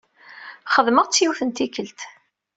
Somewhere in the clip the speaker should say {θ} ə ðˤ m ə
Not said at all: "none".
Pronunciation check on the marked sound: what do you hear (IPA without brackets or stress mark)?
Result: χ